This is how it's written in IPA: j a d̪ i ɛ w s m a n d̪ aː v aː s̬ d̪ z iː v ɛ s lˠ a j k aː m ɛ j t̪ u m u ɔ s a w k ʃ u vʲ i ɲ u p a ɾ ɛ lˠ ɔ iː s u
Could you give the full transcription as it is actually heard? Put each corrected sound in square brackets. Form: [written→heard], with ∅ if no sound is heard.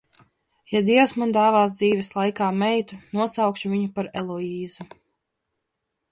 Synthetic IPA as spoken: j a d̪ i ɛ w s m a n d̪ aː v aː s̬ d̪ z iː v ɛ s lˠ a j k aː m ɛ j t̪ u [m→n] u ɔ s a w k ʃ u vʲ i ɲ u p a ɾ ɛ lˠ ɔ iː [s→z] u